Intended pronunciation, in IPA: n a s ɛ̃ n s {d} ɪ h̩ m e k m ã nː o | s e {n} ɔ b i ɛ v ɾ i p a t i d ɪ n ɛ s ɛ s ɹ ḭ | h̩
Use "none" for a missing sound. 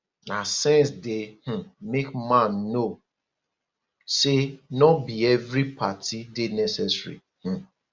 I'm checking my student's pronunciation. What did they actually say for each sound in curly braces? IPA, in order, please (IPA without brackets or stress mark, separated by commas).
d, n